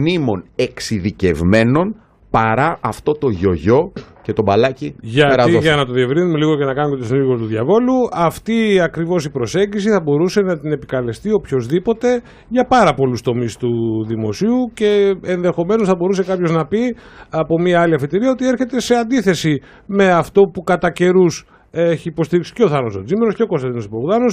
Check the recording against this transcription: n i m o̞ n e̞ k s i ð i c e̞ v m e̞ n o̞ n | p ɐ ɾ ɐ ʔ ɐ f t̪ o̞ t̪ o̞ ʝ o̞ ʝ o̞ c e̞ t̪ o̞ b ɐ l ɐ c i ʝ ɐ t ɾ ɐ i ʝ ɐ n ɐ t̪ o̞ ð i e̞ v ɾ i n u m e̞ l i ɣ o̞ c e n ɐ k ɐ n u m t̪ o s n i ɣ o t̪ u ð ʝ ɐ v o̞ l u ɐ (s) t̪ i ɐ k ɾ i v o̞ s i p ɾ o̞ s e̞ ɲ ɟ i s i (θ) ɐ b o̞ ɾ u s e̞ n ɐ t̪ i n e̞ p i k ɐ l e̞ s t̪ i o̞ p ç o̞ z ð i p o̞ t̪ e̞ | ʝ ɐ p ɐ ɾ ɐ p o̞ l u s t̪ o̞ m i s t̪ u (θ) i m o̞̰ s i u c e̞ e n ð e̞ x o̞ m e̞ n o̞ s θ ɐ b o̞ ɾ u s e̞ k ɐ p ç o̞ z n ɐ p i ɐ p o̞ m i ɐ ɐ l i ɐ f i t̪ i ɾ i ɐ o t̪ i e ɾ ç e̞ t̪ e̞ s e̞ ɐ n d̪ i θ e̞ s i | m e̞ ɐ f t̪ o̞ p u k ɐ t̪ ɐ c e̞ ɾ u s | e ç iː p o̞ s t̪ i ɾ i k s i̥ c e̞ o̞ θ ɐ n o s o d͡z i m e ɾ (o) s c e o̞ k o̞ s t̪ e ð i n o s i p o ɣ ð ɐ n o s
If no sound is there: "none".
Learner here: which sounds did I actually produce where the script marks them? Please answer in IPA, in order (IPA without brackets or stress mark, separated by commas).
f, θ, ð, o